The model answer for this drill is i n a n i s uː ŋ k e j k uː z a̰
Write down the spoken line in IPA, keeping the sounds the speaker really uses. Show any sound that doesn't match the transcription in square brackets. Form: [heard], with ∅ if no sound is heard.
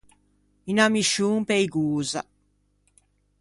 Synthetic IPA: i n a [m] i [ʃ] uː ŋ [p] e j [ɡ] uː z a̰